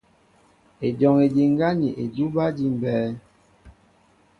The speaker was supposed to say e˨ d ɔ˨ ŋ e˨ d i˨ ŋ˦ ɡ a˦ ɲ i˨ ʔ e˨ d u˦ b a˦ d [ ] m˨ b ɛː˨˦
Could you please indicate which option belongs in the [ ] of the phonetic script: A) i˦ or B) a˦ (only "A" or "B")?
A